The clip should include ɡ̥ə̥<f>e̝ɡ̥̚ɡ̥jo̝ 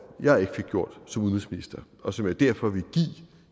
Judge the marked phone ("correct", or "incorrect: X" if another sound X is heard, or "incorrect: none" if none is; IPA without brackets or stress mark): correct